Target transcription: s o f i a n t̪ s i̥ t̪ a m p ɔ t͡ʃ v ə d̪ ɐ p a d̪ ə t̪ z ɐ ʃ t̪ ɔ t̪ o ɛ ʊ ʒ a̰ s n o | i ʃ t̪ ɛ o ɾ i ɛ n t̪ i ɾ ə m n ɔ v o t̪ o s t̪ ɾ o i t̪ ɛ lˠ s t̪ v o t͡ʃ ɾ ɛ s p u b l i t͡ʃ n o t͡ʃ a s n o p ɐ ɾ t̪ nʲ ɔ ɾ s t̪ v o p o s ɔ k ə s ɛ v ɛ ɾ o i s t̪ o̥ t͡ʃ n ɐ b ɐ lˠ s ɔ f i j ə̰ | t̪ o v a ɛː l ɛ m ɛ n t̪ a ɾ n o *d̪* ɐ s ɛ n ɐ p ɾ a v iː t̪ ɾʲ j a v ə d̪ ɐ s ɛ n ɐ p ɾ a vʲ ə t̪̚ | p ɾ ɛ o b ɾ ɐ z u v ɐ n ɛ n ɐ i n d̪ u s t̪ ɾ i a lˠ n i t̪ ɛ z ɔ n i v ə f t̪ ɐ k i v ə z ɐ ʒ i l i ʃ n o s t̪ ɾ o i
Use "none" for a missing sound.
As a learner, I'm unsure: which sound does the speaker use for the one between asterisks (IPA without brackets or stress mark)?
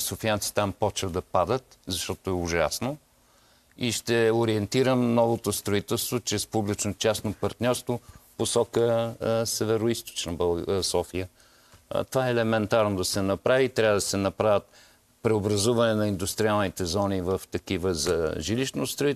d̪